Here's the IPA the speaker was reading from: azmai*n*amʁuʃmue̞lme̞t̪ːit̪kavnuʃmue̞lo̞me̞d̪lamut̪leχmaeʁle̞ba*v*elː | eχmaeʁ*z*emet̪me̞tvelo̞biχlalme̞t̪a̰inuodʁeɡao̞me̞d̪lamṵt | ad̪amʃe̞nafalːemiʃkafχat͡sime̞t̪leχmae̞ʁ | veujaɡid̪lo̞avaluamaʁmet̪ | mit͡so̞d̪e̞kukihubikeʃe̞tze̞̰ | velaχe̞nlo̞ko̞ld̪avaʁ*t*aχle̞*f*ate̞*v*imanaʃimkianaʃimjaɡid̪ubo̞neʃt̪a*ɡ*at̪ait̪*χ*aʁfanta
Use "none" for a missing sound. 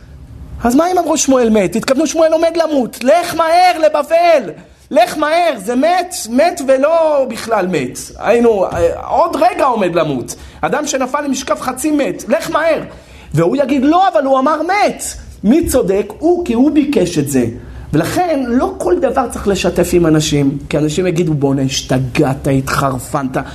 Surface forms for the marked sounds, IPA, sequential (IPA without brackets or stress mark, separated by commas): m, v, z, t͡s, ʃ, f, ɡ, χ